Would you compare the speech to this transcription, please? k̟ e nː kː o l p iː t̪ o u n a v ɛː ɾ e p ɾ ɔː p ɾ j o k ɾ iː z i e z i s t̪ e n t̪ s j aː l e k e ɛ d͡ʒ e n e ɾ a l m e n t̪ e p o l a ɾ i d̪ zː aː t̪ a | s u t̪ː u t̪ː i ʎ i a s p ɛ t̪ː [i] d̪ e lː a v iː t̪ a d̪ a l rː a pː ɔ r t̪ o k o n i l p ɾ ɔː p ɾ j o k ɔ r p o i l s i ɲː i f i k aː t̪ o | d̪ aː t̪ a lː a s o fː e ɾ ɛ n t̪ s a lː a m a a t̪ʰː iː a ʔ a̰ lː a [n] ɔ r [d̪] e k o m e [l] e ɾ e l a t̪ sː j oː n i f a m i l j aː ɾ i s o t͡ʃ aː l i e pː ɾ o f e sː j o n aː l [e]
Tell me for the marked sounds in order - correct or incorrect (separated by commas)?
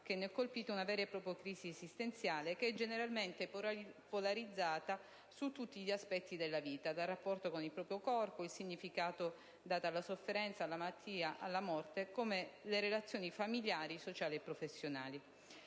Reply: correct, incorrect, incorrect, correct, incorrect